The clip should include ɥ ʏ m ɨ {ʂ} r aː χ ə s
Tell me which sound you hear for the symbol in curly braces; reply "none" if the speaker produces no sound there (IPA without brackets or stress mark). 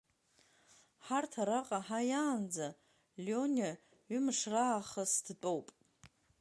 ʂ